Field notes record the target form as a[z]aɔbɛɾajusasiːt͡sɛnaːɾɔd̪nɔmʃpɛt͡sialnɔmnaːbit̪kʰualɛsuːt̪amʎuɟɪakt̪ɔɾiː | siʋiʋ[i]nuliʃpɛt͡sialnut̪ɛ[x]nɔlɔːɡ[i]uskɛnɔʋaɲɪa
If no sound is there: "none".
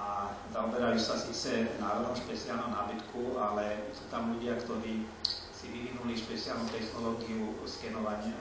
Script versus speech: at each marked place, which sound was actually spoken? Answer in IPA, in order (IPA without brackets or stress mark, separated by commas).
z, i, x, i